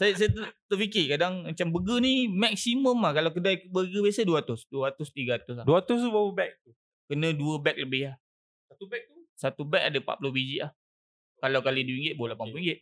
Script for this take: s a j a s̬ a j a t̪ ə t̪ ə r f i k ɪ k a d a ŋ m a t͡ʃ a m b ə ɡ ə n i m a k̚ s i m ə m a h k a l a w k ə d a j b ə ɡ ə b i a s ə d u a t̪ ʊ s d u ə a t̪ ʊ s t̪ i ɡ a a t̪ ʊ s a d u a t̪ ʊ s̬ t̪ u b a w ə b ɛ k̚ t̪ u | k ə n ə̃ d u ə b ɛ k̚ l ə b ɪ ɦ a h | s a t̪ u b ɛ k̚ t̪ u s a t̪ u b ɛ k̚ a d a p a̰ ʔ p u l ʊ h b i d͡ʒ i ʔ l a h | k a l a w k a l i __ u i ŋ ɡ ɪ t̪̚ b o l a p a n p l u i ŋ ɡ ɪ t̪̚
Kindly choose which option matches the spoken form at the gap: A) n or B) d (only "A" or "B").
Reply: B